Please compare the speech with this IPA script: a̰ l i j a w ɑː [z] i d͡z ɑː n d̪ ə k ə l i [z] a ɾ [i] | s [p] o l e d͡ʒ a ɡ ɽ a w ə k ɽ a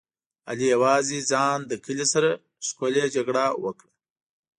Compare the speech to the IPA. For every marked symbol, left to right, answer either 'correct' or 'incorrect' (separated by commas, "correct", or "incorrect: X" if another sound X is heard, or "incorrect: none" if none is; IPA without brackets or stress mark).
correct, incorrect: s, incorrect: a, incorrect: k